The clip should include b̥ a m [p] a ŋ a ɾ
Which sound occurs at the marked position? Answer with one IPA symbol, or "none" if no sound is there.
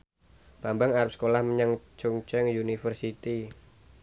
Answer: b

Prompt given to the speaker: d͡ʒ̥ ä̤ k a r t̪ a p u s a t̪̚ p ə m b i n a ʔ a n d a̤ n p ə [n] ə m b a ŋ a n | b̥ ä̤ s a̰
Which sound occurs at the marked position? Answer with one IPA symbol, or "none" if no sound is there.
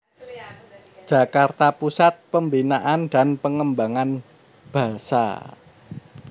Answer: ŋ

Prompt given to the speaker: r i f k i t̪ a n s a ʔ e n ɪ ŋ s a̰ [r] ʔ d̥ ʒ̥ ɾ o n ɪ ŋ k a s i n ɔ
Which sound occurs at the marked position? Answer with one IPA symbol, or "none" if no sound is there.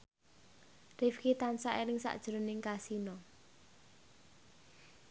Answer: none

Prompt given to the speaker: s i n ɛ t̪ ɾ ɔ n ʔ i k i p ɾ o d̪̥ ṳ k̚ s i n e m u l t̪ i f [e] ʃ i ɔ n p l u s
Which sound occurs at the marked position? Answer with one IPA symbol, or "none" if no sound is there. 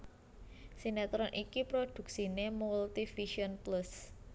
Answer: i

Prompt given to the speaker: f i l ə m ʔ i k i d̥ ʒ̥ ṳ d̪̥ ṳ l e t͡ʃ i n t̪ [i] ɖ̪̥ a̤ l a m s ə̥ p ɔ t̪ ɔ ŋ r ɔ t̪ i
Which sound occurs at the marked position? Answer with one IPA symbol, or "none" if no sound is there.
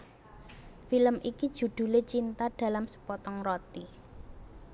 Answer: a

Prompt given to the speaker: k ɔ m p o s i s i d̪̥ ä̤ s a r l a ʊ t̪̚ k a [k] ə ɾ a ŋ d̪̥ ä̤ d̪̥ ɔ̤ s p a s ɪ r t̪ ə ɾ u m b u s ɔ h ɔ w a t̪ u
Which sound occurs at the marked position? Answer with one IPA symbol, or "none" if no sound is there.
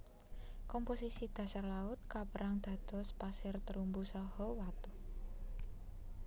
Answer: p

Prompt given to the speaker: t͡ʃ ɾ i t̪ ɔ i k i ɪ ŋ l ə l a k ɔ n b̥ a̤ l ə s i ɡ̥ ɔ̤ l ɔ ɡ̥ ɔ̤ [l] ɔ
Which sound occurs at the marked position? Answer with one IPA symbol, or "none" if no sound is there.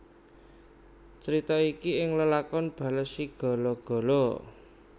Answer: l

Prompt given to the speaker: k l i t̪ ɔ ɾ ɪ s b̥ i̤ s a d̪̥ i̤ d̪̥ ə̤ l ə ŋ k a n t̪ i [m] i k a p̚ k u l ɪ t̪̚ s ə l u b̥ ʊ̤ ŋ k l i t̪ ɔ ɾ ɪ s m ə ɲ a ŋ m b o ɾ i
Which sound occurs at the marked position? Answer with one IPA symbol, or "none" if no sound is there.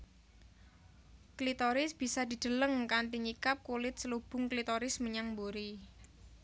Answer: ɲ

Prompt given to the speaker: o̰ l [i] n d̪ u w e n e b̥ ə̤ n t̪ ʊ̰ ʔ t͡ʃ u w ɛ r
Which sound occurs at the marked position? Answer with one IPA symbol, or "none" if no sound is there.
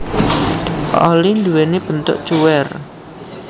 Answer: i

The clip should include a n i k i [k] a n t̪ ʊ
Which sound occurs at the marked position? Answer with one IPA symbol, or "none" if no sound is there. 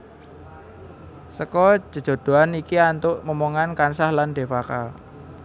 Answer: none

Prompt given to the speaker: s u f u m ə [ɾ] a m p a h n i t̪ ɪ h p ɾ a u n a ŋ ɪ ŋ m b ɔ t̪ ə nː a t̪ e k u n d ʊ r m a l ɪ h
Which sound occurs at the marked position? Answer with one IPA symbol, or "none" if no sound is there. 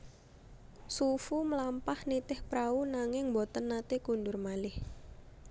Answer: l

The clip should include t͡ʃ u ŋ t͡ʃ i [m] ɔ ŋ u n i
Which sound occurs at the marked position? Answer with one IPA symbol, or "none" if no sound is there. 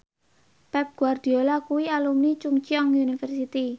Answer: none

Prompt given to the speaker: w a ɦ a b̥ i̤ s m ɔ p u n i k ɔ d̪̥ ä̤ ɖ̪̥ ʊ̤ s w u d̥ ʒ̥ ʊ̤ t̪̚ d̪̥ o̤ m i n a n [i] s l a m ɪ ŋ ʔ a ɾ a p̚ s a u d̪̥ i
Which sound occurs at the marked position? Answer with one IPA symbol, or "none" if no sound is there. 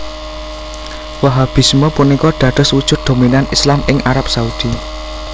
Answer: i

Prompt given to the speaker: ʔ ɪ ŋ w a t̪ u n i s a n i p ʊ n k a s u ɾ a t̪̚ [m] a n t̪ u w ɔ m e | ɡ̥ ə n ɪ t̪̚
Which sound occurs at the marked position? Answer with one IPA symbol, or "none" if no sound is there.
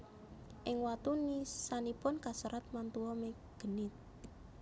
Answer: m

